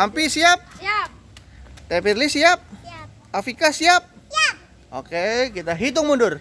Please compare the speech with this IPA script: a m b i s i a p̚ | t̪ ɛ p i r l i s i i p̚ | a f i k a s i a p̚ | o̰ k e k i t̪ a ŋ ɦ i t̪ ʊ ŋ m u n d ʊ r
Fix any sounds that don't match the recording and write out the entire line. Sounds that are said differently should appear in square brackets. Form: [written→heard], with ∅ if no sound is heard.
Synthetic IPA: a m [b→p] i s i a p̚ | t̪ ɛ p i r l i s i [i→a] p̚ | a f i k a s i a p̚ | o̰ k e k i t̪ a [ŋ→∅] ɦ i t̪ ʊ ŋ m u n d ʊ r